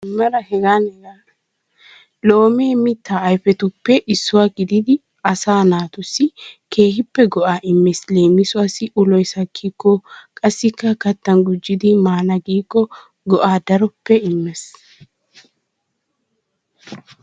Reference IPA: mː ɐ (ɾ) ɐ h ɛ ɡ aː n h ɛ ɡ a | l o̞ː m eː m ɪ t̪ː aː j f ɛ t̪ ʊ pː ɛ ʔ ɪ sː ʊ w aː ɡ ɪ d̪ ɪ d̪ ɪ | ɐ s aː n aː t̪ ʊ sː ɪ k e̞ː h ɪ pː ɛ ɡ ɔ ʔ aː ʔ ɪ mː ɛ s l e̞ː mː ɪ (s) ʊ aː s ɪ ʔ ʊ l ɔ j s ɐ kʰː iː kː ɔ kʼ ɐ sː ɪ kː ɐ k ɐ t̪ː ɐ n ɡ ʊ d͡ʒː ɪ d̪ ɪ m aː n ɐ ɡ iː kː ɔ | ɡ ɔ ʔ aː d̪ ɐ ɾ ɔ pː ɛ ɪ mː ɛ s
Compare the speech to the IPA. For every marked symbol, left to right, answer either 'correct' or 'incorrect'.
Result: correct, correct

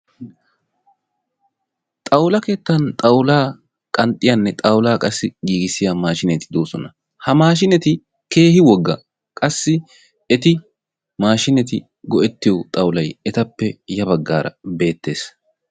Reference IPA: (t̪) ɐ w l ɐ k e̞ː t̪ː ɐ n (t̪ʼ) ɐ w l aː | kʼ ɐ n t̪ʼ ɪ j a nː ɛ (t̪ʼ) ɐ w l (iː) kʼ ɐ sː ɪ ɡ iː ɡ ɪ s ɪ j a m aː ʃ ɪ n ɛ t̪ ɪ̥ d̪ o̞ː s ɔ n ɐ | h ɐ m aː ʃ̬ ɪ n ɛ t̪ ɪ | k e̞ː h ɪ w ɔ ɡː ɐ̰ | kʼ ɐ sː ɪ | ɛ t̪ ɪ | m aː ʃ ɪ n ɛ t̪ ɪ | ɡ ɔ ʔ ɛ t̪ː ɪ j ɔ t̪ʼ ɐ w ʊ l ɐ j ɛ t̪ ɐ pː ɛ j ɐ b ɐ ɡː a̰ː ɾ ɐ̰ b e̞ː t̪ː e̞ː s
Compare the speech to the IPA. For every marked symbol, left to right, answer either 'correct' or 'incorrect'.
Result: incorrect, correct, correct, incorrect

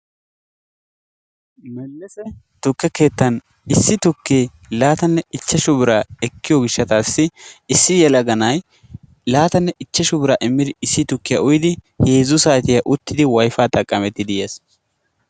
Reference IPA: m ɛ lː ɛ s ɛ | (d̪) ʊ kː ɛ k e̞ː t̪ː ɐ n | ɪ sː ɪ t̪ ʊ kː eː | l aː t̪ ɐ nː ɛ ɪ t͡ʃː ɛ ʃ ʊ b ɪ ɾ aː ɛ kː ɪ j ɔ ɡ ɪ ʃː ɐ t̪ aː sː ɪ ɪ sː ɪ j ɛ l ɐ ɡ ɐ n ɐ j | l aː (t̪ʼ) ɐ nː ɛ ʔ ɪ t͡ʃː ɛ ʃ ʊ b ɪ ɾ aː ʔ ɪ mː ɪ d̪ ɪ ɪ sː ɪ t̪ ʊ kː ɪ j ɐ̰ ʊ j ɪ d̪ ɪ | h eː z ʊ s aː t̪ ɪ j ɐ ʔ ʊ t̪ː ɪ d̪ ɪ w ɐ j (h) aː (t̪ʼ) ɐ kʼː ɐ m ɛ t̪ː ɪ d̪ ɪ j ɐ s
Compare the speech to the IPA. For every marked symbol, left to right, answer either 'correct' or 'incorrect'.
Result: incorrect, incorrect, incorrect, correct

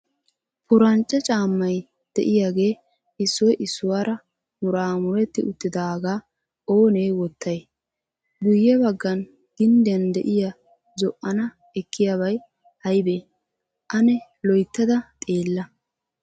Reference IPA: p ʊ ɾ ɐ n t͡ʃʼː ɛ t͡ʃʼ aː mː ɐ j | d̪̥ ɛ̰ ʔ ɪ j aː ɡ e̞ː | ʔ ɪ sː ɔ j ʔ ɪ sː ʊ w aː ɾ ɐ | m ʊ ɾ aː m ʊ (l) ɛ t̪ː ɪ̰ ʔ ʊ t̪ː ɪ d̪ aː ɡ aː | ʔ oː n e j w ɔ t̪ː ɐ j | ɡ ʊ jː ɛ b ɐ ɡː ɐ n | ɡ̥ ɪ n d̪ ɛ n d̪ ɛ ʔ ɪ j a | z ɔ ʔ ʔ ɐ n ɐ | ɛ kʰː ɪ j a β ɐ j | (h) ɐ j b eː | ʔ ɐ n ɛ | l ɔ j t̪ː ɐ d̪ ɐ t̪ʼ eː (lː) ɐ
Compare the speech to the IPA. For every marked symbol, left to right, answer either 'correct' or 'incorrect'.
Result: incorrect, correct, correct

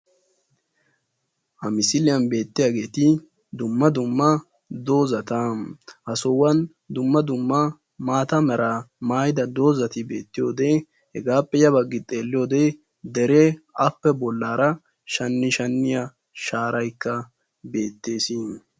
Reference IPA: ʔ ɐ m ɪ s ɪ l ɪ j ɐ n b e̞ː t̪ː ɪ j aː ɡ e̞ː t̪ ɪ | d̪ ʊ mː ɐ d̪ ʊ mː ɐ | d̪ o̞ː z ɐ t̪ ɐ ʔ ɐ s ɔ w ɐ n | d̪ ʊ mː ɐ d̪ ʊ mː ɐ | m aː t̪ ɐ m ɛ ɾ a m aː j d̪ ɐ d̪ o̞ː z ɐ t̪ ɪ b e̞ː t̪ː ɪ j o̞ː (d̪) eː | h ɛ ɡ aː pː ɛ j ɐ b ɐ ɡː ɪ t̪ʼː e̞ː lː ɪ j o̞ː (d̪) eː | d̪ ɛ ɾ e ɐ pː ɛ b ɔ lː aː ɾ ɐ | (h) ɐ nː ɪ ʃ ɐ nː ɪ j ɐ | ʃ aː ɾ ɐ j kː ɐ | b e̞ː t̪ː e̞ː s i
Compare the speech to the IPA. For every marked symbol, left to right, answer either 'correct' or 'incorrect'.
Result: correct, correct, incorrect

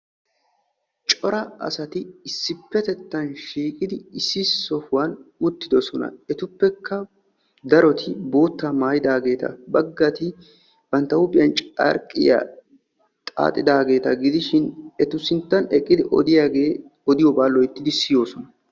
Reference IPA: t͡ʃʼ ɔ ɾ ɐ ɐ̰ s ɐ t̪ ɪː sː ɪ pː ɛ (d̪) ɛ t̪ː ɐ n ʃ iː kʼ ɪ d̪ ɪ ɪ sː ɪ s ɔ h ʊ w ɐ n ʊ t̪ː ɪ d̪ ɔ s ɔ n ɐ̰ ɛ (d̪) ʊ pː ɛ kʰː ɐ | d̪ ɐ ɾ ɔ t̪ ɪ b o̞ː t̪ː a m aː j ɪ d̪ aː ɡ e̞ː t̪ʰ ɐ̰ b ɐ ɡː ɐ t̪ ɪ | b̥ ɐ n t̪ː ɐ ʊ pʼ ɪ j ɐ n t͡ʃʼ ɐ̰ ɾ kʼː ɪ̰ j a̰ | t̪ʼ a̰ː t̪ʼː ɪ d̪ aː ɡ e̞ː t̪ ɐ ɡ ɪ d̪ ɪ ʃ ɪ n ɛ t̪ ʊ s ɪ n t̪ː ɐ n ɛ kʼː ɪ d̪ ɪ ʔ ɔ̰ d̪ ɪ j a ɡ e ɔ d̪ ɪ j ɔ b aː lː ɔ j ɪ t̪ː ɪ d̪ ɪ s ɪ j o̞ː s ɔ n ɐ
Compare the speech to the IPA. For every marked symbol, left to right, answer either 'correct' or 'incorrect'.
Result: incorrect, incorrect

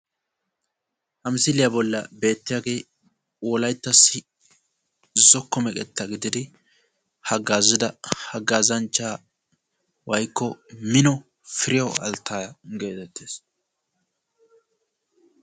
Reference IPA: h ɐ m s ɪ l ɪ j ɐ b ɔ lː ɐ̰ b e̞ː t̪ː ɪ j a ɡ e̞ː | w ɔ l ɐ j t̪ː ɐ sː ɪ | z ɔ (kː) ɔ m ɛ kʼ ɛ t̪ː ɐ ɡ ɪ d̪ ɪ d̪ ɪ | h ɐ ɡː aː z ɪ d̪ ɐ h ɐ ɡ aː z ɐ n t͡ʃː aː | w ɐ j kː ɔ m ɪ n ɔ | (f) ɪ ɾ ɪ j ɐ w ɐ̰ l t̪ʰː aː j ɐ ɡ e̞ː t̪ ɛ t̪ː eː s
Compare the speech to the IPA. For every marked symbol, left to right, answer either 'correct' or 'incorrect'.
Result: correct, correct

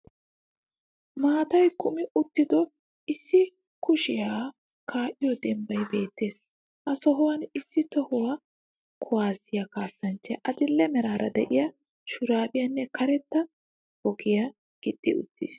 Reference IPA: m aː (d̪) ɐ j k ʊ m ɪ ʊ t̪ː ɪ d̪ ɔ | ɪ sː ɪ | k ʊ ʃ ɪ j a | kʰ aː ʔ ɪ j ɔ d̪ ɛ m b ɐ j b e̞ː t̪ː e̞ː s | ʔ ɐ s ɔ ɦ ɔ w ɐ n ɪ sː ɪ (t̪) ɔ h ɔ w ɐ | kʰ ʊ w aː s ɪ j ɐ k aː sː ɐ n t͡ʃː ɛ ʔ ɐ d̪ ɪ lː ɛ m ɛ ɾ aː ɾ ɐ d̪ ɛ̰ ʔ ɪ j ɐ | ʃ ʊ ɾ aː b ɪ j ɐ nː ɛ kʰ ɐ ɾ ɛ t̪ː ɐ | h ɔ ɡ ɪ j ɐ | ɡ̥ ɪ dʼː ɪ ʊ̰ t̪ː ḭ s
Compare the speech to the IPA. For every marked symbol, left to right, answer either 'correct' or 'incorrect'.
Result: incorrect, correct

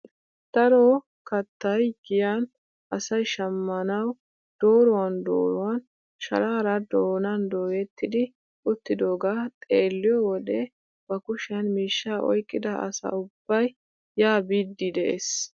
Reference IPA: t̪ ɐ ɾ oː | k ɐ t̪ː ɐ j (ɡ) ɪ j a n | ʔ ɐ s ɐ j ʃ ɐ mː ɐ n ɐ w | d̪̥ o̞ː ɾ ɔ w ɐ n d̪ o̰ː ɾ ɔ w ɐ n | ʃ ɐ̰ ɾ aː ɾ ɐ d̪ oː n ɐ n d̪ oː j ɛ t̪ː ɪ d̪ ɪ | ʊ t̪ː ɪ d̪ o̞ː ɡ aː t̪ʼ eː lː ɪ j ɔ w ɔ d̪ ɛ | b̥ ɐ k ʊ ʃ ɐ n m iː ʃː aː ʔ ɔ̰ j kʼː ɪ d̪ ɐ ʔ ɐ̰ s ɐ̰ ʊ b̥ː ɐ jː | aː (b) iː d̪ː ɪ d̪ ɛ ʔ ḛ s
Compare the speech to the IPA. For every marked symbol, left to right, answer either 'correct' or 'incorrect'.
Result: correct, correct

